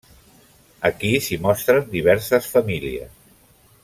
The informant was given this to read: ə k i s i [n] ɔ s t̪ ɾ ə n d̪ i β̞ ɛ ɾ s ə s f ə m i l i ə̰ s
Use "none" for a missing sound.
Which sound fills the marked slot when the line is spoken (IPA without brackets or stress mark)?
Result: m